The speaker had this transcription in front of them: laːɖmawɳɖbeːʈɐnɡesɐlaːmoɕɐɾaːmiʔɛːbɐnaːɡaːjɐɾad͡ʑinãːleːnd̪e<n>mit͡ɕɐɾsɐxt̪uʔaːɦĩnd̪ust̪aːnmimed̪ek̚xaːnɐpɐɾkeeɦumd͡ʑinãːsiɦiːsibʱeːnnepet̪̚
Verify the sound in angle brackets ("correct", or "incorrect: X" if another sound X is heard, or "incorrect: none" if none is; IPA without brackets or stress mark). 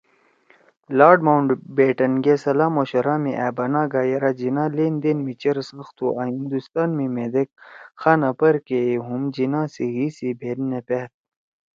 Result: correct